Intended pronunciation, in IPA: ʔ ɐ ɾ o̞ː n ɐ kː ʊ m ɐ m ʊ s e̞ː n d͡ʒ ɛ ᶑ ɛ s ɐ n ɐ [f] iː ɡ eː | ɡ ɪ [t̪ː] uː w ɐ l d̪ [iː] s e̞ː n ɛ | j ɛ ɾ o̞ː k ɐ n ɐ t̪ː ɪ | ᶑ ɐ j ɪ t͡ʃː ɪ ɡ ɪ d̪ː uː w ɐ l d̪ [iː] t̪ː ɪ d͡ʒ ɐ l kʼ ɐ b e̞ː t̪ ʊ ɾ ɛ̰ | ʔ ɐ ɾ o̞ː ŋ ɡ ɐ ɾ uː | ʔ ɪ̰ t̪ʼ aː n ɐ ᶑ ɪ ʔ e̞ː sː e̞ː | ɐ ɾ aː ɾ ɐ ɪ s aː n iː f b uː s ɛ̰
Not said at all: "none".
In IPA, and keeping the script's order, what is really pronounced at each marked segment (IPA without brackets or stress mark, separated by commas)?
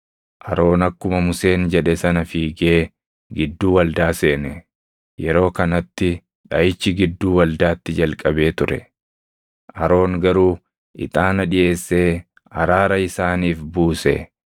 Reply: f, d̪ː, aː, aː